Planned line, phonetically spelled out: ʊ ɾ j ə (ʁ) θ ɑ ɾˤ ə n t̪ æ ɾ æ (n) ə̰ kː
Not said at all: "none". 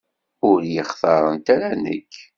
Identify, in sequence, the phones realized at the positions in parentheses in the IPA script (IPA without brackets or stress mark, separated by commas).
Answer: χ, n